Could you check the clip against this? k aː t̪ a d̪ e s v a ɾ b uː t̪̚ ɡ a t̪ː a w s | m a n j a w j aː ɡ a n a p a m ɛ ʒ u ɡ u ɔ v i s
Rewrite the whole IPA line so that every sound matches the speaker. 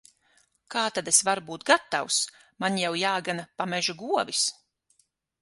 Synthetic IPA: k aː t̪ a d̪ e s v a ɾ b uː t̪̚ ɡ a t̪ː a w s | m a n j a w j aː ɡ a n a p a m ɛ ʒ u ɡ u ɔ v i s

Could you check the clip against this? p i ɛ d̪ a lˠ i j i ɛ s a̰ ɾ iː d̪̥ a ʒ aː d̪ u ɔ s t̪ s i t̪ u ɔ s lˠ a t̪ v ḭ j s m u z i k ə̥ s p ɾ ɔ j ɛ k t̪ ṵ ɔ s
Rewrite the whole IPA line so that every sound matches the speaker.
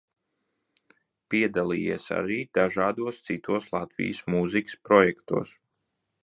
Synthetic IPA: p i ɛ d̪ a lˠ i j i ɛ s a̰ ɾ iː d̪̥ a ʒ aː d̪ u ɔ s t̪ s i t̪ u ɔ s lˠ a t̪ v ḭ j s m u z i k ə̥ s p ɾ ɔ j ɛ k t̪ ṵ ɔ s

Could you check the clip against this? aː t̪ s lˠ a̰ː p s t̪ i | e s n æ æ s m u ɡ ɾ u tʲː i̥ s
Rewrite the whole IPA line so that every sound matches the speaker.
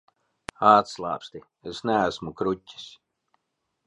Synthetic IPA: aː t̪ s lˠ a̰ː p s t̪ i | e s n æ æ s m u k ɾ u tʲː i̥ s

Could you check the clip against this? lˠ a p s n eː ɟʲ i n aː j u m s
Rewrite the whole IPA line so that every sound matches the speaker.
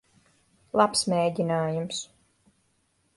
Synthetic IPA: lˠ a p s m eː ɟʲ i n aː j u m s

